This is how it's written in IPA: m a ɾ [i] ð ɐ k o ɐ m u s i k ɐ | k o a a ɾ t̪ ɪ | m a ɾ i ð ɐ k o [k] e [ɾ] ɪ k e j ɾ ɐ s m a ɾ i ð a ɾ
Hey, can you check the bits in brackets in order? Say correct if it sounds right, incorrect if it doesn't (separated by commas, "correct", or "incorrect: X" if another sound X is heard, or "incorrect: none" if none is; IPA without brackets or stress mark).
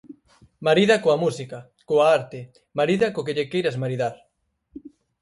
correct, correct, incorrect: ʎ